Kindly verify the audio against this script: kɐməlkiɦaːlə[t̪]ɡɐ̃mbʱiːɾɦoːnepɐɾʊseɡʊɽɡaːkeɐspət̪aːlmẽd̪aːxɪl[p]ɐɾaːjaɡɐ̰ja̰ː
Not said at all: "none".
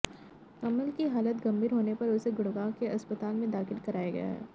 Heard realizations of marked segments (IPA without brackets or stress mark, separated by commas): t̪, k